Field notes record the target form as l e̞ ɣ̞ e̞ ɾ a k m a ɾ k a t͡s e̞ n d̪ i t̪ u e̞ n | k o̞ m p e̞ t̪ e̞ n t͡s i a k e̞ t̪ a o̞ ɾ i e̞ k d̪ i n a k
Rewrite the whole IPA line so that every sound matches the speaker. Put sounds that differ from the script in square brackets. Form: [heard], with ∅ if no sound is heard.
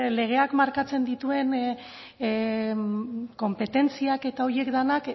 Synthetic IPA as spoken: l e̞ ɣ̞ e̞ [∅] a k m a ɾ k a t͡s e̞ n d̪ i t̪ u e̞ n | k o̞ m p e̞ t̪ e̞ n t͡s i a k e̞ t̪ a o̞ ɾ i e̞ k d̪ [a] n a k